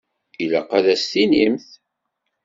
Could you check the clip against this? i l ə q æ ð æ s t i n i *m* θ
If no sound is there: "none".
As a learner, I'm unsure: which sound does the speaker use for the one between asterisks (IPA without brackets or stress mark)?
m